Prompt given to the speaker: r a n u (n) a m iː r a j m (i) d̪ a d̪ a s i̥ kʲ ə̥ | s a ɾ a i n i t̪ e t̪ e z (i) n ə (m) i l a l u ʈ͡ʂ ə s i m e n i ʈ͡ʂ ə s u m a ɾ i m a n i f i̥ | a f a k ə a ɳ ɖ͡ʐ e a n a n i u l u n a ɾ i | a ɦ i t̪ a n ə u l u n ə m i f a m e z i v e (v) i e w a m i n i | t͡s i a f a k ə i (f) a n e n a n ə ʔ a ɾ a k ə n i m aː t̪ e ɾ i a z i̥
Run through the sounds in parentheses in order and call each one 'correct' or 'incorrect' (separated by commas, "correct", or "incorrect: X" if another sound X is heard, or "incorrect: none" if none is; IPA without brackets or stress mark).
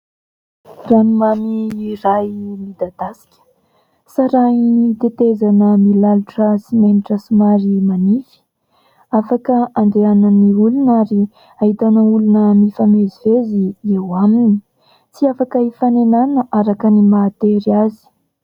incorrect: m, correct, incorrect: a, correct, incorrect: z, correct